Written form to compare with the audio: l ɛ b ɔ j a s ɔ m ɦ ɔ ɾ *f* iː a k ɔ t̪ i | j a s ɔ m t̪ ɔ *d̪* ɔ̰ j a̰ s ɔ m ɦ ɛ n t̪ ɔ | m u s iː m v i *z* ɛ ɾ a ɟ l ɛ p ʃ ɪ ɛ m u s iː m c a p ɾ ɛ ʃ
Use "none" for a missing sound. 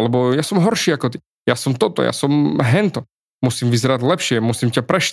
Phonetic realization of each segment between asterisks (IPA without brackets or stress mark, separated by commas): ʃ, t̪, z